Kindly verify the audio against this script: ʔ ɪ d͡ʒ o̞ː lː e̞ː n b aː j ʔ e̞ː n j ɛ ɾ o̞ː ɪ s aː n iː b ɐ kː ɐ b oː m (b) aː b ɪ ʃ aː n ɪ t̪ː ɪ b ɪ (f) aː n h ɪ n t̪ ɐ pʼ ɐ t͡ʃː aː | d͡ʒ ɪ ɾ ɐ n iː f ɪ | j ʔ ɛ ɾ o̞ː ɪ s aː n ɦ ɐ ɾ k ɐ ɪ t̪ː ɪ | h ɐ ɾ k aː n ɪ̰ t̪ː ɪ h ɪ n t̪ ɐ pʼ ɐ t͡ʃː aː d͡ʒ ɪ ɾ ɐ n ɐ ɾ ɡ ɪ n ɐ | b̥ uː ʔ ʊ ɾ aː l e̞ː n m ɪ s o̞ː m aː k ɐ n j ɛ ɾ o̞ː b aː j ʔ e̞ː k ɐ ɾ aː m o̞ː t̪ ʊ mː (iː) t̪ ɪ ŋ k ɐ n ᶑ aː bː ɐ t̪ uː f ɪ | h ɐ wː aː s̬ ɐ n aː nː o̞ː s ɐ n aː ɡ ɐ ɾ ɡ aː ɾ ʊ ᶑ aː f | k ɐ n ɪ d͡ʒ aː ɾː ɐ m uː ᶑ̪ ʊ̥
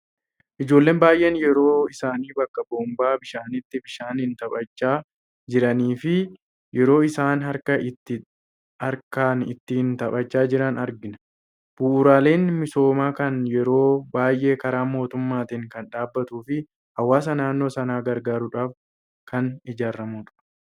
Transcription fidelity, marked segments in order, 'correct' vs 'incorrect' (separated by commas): correct, incorrect, incorrect